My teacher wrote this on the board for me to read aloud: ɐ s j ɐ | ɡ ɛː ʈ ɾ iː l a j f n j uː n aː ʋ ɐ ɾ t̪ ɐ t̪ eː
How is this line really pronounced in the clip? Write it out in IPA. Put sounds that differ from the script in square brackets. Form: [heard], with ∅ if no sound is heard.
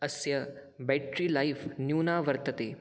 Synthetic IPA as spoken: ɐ s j ɐ | [b] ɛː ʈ ɾ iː l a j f n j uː n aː ʋ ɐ ɾ t̪ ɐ t̪ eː